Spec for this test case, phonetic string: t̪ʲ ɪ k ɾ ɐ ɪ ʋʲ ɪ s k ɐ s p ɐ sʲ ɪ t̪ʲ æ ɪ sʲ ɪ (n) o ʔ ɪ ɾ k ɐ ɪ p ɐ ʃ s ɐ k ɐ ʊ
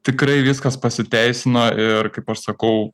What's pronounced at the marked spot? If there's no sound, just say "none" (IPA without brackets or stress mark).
n